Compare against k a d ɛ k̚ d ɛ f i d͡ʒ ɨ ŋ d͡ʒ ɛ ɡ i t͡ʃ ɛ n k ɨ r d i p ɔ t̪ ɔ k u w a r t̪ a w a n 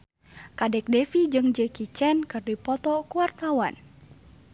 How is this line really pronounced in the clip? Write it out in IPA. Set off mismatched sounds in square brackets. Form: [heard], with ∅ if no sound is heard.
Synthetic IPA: k a d ɛ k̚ d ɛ f i d͡ʒ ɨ ŋ d͡ʒ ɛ [k] i t͡ʃ ɛ n k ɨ r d i p ɔ t̪ ɔ k u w a r t̪ a w a n